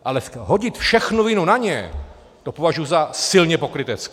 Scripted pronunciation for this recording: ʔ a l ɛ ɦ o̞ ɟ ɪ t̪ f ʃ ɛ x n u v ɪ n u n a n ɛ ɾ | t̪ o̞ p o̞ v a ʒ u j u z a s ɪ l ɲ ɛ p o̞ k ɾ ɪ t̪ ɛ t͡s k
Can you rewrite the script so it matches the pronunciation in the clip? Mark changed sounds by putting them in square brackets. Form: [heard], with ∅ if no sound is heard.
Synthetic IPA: ʔ a l ɛ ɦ o̞ ɟ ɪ t̪ f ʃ ɛ x n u v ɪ n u n a [ɲ] ɛ [∅] | t̪ o̞ p o̞ v a ʒ u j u z a s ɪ l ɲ ɛ p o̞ k ɾ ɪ t̪ ɛ t͡s k